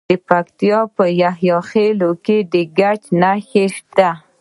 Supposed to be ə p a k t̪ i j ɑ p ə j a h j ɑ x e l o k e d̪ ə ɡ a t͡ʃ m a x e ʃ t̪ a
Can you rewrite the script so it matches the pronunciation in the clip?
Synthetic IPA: ə p a k t̪ i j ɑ p ə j a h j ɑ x e l o k e d̪ ə ɡ a t͡ʃ n a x e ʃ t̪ a